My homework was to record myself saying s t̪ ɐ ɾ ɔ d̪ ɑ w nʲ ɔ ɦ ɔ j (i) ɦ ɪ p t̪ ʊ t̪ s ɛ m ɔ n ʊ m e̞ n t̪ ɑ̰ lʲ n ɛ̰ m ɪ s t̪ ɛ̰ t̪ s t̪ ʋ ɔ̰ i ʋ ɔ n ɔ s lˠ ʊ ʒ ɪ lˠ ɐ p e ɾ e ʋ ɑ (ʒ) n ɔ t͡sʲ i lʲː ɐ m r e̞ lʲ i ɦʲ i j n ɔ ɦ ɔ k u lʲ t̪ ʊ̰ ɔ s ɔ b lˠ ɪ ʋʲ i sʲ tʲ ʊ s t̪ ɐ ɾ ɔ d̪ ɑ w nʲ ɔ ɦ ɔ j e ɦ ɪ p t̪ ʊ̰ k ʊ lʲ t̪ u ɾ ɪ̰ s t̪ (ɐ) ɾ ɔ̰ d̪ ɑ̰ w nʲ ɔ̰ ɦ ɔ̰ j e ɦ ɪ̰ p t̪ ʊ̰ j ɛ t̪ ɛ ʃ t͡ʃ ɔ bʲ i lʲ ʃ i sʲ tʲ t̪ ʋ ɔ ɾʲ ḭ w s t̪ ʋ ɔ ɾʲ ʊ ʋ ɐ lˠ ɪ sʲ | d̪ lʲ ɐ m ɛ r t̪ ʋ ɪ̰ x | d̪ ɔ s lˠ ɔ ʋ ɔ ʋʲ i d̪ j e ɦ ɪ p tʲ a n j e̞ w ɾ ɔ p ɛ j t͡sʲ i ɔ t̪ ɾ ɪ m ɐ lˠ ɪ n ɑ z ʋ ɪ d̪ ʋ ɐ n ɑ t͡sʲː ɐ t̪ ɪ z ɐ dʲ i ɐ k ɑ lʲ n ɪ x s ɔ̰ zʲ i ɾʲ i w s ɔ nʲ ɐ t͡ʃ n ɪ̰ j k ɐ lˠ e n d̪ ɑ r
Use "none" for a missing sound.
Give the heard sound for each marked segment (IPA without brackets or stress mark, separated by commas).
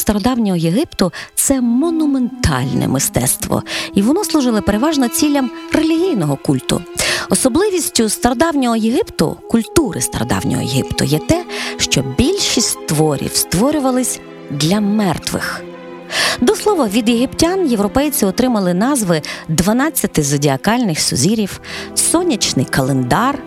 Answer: e, ʒ, ɐ